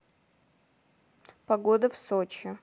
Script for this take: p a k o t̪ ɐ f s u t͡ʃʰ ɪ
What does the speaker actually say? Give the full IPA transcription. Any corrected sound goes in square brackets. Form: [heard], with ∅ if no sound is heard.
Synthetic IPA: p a [ɡ] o [d̪] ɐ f s [o] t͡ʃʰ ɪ